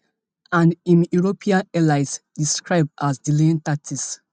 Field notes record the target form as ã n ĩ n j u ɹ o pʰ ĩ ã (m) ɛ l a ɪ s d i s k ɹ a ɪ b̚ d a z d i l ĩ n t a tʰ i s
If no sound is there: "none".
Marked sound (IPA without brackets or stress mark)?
n